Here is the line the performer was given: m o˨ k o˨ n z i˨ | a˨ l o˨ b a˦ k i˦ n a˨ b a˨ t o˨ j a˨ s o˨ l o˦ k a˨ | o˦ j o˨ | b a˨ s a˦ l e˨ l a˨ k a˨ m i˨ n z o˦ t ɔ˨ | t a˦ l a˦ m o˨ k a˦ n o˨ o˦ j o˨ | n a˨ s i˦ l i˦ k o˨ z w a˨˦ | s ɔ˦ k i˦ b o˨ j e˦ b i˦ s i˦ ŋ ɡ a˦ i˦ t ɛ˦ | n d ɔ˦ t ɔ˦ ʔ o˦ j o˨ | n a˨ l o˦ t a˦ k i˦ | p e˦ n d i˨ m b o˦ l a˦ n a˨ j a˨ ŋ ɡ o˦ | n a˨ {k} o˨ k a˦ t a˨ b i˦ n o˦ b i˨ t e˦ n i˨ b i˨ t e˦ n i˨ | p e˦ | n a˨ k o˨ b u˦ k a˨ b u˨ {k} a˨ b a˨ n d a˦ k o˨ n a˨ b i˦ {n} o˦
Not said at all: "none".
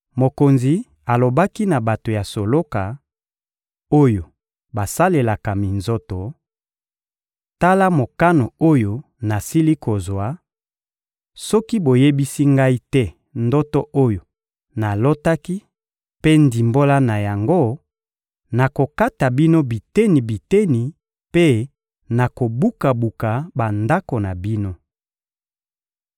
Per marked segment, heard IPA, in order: k, k, n

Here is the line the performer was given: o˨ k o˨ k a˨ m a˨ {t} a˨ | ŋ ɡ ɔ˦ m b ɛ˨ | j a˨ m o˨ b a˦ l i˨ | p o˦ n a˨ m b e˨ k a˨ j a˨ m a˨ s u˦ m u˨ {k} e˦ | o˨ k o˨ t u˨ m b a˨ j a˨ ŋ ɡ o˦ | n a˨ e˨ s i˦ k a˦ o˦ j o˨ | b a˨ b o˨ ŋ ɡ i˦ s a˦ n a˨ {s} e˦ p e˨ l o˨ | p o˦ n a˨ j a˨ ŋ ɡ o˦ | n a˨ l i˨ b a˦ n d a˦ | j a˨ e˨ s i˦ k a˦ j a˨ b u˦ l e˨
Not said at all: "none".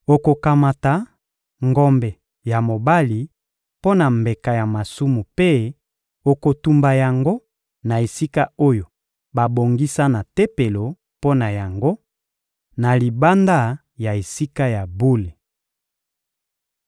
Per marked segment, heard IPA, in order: t, p, t

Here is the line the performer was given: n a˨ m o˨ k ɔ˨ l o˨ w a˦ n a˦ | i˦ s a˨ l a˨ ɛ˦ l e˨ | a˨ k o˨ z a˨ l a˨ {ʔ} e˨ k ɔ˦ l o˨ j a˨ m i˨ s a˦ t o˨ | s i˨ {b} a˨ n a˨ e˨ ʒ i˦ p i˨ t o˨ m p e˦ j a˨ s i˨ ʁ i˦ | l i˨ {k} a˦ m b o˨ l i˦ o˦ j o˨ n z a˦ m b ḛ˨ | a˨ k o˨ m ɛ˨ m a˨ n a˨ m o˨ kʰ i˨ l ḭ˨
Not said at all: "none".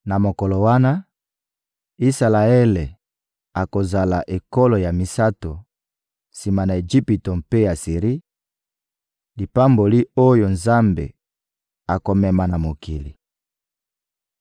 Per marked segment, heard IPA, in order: ʔ, m, p

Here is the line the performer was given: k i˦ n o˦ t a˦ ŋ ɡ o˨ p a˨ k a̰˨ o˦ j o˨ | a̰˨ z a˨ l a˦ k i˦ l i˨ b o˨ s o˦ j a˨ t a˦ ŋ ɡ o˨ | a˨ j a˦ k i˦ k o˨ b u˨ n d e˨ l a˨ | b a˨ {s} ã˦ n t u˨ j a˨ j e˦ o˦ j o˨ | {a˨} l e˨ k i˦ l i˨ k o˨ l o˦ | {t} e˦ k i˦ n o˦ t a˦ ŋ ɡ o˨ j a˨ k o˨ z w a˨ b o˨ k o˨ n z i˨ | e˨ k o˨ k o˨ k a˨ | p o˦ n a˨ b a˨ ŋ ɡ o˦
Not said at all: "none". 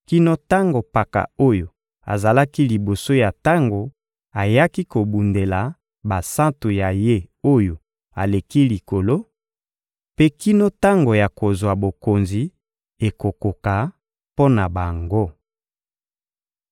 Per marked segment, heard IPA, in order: s, a˨, p

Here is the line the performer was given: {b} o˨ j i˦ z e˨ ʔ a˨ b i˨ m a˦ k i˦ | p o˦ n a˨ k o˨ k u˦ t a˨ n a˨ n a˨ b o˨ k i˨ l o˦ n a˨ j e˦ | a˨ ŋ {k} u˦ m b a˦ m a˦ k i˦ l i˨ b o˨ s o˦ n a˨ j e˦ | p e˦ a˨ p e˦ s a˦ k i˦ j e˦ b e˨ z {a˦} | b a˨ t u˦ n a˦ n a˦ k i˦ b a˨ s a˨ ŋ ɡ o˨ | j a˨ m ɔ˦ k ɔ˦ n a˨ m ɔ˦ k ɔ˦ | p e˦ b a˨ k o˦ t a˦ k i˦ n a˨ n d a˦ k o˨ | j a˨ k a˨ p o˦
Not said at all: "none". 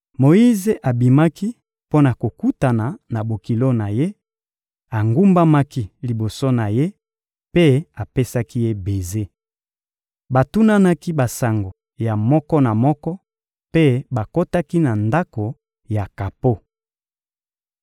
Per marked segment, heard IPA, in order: m, ɡ, e˦

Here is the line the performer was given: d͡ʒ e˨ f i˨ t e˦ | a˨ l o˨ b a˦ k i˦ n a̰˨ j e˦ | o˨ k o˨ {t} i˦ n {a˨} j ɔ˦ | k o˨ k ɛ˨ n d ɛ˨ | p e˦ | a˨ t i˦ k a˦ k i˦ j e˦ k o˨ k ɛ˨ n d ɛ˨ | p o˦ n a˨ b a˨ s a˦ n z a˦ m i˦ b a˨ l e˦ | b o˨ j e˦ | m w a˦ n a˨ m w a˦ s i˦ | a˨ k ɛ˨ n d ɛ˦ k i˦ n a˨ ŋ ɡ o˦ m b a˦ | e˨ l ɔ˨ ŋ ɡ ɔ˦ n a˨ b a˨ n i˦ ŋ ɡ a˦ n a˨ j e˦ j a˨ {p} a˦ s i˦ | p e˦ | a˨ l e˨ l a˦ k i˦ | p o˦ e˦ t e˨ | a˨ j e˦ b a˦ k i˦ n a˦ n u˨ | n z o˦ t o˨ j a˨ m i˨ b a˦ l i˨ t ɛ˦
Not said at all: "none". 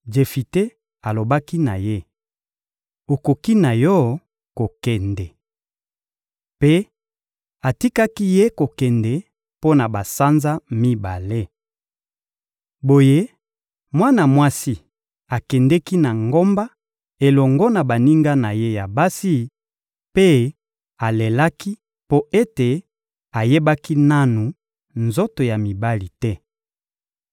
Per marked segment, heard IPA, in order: k, a˨, b

